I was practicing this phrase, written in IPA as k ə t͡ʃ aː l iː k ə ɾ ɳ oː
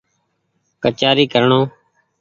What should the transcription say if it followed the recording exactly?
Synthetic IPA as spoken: k ə t͡ʃ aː ɾ iː k ə ɾ ɳ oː